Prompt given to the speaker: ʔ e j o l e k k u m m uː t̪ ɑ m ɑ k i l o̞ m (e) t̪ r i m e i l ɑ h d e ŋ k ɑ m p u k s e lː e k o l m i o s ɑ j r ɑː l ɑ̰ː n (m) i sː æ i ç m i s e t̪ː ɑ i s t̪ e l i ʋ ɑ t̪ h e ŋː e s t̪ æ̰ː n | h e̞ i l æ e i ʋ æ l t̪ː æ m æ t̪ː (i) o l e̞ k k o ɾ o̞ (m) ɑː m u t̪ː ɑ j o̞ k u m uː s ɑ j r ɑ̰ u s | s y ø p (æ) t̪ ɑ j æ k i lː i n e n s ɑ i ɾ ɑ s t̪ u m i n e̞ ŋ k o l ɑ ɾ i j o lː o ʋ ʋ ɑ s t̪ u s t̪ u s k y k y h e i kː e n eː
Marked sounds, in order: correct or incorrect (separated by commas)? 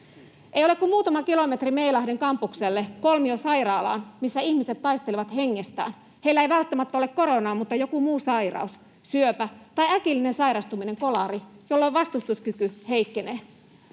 correct, correct, incorrect, incorrect, correct